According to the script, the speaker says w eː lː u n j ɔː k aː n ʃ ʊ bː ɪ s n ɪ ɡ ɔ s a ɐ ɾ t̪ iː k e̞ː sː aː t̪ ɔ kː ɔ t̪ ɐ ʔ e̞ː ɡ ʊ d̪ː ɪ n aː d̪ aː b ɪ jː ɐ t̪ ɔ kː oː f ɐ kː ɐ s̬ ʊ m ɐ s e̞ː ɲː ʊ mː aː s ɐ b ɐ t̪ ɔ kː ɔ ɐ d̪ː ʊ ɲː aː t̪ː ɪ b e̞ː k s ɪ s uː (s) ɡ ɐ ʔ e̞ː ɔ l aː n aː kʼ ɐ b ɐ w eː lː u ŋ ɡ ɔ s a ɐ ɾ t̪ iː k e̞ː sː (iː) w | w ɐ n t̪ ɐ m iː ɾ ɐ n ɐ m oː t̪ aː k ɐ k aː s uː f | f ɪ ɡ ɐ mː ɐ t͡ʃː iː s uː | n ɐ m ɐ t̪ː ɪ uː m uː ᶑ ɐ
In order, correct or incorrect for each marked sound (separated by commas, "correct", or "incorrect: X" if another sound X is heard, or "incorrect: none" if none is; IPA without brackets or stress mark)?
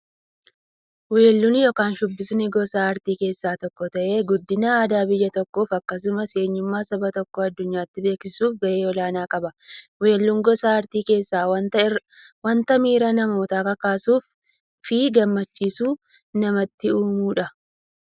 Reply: incorrect: f, incorrect: aː